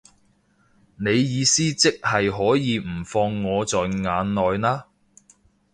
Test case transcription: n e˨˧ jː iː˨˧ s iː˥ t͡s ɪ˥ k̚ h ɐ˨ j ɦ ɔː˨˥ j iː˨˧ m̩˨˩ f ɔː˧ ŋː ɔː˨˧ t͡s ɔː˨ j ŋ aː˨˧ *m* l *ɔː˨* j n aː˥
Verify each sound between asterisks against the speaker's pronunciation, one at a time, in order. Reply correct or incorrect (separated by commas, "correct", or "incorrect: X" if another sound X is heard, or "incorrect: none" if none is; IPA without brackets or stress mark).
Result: incorrect: n, correct